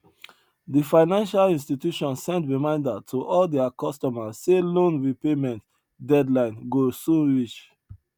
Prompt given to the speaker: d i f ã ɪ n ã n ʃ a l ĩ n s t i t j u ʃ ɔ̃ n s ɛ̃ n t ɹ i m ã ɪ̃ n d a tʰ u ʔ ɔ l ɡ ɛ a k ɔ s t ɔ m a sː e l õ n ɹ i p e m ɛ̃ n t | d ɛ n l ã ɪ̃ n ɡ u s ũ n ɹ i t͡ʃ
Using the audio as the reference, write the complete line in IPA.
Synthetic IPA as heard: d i f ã ɪ n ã n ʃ a l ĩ n s t i t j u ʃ ɔ̃ n s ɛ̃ n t ɹ i m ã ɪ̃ n d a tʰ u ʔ ɔ l d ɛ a k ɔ s t ɔ m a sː e l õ n ɹ i p e m ɛ̃ n t | d ɛ d l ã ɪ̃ n ɡ o s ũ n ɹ i t͡ʃ